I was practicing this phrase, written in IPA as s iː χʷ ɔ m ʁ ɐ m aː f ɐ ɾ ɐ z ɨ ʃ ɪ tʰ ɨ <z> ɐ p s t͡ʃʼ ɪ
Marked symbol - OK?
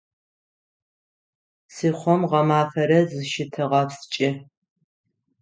no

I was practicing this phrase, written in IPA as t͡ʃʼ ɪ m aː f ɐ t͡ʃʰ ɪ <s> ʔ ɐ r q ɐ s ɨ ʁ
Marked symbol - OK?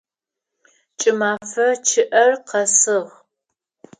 no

